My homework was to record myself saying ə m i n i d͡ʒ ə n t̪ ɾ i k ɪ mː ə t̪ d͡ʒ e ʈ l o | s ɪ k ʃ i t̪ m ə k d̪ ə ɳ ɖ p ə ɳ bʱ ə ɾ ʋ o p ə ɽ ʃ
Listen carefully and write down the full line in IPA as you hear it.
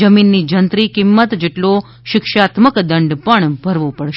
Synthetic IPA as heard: ə m i nː i d͡ʒ ə n t̪ ɾ i k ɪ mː ə t̪ d͡ʒ e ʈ l o | ʃ ɪ k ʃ a t̪ m ə k d̪ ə ɳ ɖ p ə ɳ bʱ ə ɾ ʋ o p ə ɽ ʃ

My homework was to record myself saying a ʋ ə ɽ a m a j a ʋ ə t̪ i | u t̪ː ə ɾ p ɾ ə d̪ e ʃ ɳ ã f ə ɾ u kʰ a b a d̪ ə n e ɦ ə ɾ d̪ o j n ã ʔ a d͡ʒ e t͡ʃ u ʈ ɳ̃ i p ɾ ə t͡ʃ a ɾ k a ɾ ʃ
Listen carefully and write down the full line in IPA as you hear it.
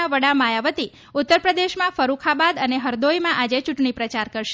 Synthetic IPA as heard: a ʋ ə ɽ a m a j a ʋ ə t̪ i | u t̪ː ə ɾ p ɾ ə d̪ e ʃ m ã f ə ɾ u kʰ a b a d̪ ə n e ɦ ə ɾ d̪ o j m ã ʔ a d͡ʒ e t͡ʃ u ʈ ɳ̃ i p ɾ ə t͡ʃ a ɾ k ə ɾ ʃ

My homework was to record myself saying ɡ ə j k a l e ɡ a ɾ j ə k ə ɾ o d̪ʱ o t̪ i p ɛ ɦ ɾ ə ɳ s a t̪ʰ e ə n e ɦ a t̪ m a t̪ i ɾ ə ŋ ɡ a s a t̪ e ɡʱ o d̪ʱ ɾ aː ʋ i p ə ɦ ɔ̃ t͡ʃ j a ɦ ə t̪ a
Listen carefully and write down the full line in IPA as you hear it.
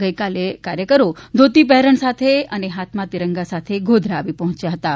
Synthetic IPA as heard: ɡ ə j k a l e k a ɾ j ə k ə ɾ o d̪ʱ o t̪ i p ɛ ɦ ɾ ə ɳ s a t̪ʰ e ə n e ɦ a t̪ m a t̪ i ɾ ə ŋ ɡ a s a t̪ʰ e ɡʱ o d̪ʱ ɾ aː ʋ i p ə ɦ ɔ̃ t͡ʃ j a ɦ ə t̪ a

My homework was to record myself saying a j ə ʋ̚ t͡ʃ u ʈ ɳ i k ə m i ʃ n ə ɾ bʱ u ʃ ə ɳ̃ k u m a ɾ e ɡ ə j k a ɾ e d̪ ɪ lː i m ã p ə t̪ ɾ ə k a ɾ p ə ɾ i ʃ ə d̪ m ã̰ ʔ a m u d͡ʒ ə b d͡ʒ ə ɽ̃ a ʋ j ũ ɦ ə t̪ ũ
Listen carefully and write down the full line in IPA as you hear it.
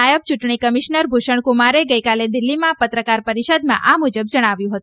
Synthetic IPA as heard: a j ə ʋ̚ t͡ʃ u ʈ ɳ i k ə m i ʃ n ə ɾ bʱ u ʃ ə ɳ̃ k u m a ɾ e ɡ ə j k a l e d̪ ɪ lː i m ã p ə t̪ ɾ ə k a ɾ p ə ɾ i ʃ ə d̪ m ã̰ ʔ a m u d͡ʒ ə b d͡ʒ ə ɽ̃ a ʋ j ũ ɦ ə t̪ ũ

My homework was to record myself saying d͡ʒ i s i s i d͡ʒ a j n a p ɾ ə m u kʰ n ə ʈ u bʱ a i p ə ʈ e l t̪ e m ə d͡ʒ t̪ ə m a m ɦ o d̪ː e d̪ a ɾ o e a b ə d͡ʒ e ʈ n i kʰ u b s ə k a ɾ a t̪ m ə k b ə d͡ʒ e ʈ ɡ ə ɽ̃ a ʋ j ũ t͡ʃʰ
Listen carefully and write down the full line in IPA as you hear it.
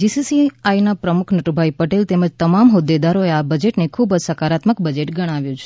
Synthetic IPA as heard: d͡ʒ i s i s i a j n a p ɾ ə m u kʰ n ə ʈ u bʱ a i p ə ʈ e l t̪ e m ə d͡ʒ t̪ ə m a m ɦ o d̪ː e d̪ a ɾ o e a b ə d͡ʒ e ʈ n e kʰ u b s ə k a ɾ a t̪ m ə k b ə d͡ʒ e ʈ ɡ ə ɽ̃ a ʋ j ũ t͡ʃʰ

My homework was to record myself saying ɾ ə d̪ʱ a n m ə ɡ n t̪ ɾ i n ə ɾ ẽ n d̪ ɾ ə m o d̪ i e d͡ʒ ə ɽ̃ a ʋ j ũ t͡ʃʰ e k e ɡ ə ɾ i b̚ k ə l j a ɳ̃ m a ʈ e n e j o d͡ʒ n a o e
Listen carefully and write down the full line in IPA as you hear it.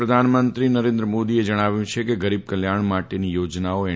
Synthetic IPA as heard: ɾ ə d̪ʱ a n m ə n t̪ ɾ i n ə ɾ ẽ n d̪ ɾ ə m o d̪ i e d͡ʒ ə ɽ̃ a ʋ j ũ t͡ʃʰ e k e ɡ ə ɾ i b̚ k ə l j a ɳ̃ m a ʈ e n i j o d͡ʒ n a o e

